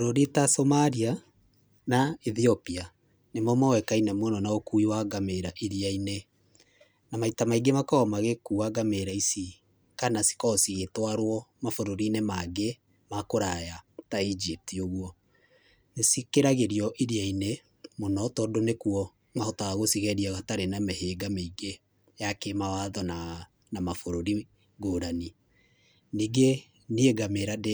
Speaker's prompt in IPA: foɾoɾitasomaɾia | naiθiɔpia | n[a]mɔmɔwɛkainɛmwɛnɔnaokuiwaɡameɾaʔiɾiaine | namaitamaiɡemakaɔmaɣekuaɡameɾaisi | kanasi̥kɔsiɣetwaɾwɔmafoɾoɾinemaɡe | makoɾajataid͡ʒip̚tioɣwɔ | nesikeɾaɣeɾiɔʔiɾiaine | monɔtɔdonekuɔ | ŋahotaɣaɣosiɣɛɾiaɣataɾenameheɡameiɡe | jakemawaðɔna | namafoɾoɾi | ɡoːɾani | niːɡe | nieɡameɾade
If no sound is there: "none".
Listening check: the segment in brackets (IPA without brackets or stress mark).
e